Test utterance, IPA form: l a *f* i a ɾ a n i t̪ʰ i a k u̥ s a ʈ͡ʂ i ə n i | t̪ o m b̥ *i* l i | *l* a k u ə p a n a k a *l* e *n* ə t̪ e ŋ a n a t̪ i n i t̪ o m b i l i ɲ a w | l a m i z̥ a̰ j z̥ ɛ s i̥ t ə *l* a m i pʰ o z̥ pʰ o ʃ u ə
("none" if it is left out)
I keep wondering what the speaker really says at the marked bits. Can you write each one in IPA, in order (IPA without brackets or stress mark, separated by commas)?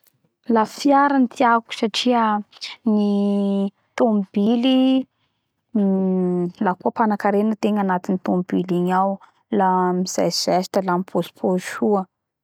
f, i, l, ɾ, n, l